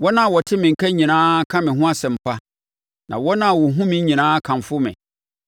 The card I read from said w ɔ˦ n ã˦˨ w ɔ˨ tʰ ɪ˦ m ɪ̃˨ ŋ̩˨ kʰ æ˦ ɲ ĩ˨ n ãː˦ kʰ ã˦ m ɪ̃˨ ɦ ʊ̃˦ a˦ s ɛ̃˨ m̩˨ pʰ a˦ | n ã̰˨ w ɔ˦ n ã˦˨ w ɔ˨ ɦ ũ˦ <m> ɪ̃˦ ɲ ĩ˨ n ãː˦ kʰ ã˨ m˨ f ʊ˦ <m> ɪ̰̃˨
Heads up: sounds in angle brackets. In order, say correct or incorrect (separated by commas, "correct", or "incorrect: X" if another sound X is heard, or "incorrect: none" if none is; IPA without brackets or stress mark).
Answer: correct, correct